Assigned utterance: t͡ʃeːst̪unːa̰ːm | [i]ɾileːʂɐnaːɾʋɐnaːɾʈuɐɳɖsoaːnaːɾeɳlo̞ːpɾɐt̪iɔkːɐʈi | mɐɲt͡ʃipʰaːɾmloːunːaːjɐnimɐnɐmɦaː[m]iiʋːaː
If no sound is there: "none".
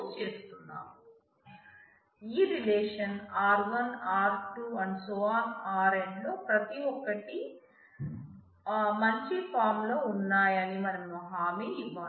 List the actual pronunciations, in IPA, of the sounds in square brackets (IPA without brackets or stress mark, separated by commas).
iː, m